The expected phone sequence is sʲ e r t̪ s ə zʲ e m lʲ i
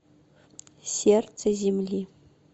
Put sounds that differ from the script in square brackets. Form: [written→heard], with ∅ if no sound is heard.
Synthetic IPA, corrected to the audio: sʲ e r t̪ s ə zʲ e m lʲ i

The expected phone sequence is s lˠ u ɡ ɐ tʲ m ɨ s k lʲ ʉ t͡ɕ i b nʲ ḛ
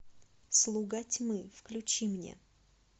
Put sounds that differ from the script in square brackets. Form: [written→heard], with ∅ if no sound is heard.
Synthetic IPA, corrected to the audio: s lˠ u ɡ [ɐ→a] tʲ m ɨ [s→f] k lʲ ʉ t͡ɕ i [b→m] nʲ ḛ

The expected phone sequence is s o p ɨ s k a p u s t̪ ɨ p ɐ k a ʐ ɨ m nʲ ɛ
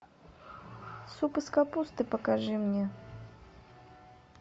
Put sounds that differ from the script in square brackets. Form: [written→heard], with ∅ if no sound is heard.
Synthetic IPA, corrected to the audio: s [o→u] p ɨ s k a p u s t̪ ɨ p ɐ k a ʐ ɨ m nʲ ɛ

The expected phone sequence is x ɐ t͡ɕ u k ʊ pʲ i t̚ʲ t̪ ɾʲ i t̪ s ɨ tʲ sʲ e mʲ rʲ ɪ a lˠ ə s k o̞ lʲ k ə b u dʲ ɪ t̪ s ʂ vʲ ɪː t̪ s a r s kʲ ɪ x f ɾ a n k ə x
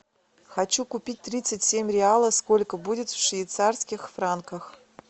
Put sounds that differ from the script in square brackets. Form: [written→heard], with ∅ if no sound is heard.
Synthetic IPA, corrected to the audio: x ɐ t͡ɕ u k ʊ pʲ i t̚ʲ t̪ ɾʲ i t̪ s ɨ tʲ sʲ e mʲ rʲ ɪ a lˠ ə s k o̞ lʲ k ə b u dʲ ɪ t̪ [s→f] ʂ vʲ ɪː t̪ s a r s kʲ ɪ x f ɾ a n k ə x

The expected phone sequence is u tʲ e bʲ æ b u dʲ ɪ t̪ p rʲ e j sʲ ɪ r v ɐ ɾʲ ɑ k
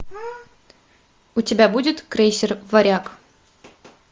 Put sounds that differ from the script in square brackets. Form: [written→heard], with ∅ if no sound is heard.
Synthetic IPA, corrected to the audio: u tʲ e bʲ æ b u dʲ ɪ t̪ [p→k] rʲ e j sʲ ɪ r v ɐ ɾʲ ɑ k

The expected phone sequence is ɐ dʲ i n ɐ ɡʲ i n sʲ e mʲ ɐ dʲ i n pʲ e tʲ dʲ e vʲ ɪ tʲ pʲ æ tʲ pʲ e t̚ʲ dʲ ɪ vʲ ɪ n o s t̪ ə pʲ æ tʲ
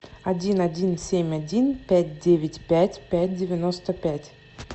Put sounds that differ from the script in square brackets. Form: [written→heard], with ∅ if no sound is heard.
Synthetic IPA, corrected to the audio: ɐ dʲ i n ɐ [ɡʲ→dʲ] i n sʲ e mʲ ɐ dʲ i n pʲ [e→æ] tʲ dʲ e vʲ ɪ tʲ pʲ æ tʲ pʲ [e→æ] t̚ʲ dʲ ɪ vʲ ɪ n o s t̪ ə pʲ æ tʲ

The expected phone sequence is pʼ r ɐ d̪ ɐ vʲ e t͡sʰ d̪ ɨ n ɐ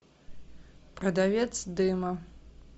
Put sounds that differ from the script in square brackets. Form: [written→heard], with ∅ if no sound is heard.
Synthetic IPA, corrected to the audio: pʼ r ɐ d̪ [ɐ→a] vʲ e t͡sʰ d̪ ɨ [n→m] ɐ

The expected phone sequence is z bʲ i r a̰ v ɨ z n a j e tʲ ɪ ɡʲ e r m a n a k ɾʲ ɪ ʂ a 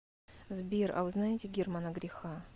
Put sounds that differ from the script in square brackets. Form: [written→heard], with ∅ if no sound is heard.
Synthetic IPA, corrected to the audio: z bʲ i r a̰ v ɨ z n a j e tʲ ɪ ɡʲ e r m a n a [k→ɡ] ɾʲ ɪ [ʂ→x] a

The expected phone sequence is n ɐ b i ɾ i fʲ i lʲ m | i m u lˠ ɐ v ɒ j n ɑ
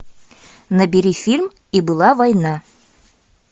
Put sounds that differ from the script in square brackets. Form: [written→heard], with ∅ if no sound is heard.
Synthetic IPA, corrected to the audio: n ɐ b i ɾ i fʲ i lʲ m | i [m→b] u lˠ [ɐ→ɑ] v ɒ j n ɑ

